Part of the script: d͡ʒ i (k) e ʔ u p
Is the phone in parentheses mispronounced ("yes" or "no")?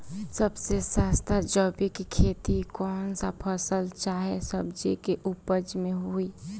no